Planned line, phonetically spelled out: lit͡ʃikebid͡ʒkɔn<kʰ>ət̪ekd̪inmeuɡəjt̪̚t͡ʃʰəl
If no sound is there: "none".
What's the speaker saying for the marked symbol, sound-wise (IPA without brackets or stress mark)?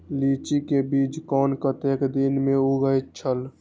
k